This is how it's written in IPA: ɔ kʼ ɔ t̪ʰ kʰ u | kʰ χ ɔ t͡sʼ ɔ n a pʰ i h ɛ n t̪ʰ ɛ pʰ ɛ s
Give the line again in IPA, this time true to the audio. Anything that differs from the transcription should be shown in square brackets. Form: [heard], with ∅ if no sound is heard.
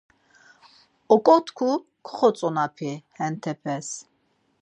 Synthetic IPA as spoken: ɔ kʼ ɔ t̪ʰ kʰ u | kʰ χ ɔ t͡sʼ ɔ n a pʰ i h ɛ n t̪ʰ ɛ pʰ ɛ s